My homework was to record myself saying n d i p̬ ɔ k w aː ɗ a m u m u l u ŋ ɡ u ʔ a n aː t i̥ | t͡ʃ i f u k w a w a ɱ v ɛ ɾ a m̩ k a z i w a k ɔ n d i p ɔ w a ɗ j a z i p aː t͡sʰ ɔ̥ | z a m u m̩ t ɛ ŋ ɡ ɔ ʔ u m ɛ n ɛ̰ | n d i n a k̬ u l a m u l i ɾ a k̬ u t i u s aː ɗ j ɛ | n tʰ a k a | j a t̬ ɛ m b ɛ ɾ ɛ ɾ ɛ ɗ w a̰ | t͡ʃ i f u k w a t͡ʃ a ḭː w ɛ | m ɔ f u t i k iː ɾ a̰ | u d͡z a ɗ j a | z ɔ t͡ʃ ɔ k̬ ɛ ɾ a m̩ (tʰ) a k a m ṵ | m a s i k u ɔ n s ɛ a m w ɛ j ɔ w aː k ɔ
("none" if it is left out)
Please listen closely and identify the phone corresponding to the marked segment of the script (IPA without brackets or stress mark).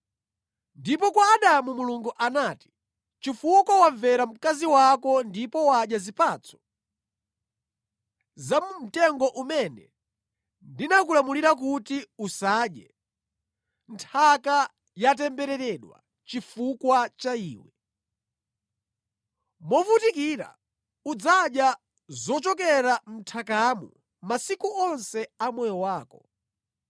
tʰ